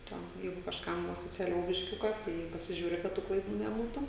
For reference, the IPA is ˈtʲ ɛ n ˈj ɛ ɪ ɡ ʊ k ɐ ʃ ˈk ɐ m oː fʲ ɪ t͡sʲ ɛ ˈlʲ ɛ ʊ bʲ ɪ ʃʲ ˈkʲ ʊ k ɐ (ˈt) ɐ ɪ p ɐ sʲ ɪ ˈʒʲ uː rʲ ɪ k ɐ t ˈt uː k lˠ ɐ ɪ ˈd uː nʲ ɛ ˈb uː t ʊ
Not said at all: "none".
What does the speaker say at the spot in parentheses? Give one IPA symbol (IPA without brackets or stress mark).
t